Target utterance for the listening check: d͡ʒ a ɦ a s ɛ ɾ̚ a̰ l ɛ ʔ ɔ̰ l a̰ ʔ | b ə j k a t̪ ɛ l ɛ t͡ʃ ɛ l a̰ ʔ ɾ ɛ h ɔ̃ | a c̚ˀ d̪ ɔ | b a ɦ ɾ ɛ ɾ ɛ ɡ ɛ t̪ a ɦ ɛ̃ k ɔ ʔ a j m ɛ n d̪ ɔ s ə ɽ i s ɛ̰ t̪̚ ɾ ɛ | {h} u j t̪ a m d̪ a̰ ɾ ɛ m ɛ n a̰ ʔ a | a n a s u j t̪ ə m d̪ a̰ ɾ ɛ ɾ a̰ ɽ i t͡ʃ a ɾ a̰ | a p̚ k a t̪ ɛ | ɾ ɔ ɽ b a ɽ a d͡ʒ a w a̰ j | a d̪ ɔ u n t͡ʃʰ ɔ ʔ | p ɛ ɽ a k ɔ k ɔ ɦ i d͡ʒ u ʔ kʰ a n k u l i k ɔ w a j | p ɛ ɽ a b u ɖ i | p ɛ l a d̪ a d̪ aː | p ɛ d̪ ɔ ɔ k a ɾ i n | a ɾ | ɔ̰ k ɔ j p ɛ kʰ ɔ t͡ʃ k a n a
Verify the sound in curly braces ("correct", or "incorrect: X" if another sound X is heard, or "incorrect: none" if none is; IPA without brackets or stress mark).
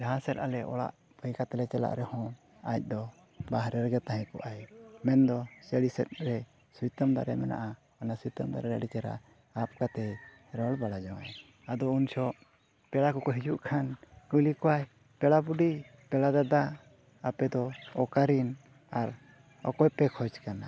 incorrect: s